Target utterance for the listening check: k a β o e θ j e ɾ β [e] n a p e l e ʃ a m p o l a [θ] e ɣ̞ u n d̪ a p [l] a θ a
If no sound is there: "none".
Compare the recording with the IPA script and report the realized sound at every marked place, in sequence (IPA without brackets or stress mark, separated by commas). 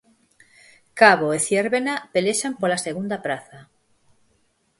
e, s, ɾ